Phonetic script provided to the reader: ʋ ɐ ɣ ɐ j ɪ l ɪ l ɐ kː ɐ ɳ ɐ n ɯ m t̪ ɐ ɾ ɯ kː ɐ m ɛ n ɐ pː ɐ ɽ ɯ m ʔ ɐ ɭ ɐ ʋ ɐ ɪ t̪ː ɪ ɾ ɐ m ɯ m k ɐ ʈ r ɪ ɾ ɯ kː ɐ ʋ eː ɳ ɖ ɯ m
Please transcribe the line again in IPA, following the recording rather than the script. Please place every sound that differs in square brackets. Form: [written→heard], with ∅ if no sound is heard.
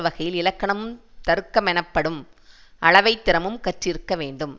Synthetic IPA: ʋ ɐ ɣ ɐ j ɪ l ɪ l ɐ kː ɐ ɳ ɐ [n→m] ɯ m t̪ ɐ ɾ ɯ kː ɐ m ɛ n ɐ pː ɐ ɽ ɯ m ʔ ɐ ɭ ɐ ʋ ɐ ɪ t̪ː ɪ ɾ ɐ m ɯ m k ɐ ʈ r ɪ ɾ ɯ kː ɐ ʋ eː ɳ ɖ ɯ m